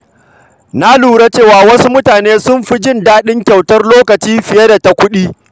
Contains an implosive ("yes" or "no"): yes